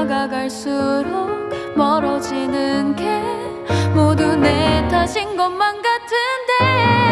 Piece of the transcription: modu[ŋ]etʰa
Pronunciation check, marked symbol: incorrect: n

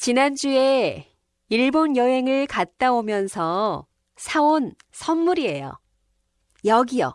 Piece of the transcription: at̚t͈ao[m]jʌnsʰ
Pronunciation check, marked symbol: correct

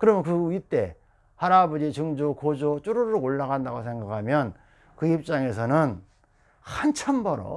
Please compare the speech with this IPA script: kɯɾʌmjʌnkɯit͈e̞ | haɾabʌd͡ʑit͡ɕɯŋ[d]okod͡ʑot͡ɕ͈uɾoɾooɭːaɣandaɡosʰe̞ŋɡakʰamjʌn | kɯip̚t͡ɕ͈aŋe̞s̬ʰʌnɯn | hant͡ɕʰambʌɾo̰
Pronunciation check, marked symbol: incorrect: d͡ʑ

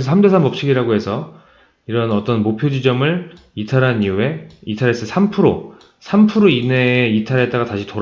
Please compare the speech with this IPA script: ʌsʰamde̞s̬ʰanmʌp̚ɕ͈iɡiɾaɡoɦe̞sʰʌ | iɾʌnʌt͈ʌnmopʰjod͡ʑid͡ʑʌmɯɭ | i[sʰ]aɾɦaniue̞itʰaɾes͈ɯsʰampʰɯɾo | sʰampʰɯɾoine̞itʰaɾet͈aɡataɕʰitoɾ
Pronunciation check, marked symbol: incorrect: tʰ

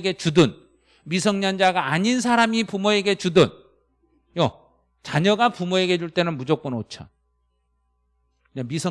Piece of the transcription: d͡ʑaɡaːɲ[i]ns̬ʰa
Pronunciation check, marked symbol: correct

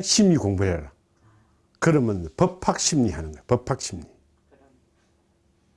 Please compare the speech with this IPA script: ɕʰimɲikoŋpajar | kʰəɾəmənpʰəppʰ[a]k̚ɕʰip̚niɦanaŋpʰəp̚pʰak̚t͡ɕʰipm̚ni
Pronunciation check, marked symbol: correct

